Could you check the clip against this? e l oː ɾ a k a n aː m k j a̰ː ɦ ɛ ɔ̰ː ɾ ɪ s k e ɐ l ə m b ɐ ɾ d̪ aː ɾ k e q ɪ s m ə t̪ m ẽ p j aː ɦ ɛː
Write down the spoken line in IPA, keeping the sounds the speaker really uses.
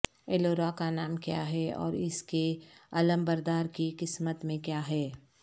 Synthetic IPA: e l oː ɾ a k a n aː m k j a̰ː ɦ ɛ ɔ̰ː ɾ ɪ s k e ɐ l ə m b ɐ ɾ d̪ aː ɾ k i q ɪ s m ə t̪ m ẽ k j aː ɦ ɛː